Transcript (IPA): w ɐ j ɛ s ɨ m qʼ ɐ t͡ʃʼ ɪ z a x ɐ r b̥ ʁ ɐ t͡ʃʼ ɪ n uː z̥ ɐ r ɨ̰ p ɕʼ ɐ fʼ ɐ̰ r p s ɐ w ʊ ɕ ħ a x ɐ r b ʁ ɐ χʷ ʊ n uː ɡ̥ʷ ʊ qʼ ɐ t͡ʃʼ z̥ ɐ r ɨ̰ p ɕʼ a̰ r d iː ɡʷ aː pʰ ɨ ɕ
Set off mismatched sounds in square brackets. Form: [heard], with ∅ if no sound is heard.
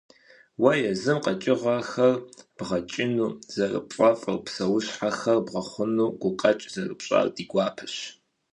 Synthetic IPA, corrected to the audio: w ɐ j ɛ [z] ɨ m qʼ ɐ t͡ʃʼ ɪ [ʁ] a x ɐ r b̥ ʁ ɐ t͡ʃʼ ɪ n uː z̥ ɐ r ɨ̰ p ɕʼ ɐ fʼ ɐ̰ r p s ɐ w ʊ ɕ ħ a x ɐ r b ʁ ɐ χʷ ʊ n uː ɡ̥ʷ ʊ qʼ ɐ t͡ʃʼ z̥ ɐ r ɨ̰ p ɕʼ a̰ r d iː ɡʷ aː pʰ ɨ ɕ